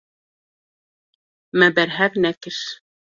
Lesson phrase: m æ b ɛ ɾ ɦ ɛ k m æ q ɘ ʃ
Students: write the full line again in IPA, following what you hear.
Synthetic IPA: m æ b æ ɾ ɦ æ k n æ k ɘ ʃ